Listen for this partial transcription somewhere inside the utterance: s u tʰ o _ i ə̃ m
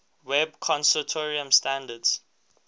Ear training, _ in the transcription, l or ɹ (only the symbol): ɹ